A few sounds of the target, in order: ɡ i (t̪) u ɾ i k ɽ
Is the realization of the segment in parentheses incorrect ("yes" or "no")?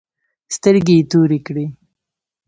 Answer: no